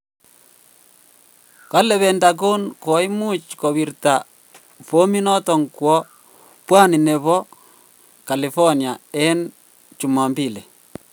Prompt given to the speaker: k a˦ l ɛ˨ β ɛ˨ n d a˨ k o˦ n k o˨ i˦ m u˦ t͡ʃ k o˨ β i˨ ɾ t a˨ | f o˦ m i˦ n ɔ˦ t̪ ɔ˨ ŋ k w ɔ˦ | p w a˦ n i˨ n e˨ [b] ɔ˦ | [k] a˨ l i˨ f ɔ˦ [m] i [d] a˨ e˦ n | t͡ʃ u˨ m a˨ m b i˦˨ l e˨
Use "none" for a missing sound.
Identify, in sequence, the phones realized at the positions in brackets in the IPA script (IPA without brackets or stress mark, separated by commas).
β, k, n, none